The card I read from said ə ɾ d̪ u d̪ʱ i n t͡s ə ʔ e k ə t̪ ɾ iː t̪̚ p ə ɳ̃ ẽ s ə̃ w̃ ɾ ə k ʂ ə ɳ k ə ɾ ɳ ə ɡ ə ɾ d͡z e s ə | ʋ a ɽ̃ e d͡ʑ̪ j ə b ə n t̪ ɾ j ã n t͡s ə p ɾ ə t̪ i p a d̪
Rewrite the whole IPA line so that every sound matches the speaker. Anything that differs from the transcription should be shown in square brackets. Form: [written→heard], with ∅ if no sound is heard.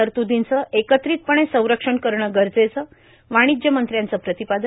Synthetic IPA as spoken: ə ɾ [d̪→t̪] u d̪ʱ i n t͡s ə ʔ e k ə t̪ ɾ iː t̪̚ p ə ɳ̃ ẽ s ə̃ w̃ ɾ ə k ʂ ə ɳ k ə ɾ ɳ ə ɡ ə ɾ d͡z e [s→t͡s] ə | ʋ a ɽ̃ [e→i] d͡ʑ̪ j ə [b→m] ə n t̪ ɾ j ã n t͡s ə p ɾ ə t̪ i p a d̪